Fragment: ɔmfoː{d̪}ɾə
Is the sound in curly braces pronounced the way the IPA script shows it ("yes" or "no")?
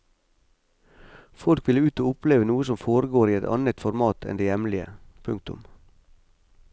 no